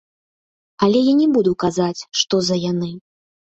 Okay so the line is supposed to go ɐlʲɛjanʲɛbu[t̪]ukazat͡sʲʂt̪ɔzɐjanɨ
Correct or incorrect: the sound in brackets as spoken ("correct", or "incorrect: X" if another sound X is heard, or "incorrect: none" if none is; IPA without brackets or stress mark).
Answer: incorrect: d̪